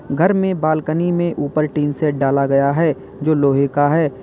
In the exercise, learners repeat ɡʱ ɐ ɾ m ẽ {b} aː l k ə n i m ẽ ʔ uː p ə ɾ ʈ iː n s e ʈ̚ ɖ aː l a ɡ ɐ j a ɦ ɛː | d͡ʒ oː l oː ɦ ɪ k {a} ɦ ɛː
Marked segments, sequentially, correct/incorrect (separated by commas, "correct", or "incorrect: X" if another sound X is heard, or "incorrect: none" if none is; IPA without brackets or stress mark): correct, correct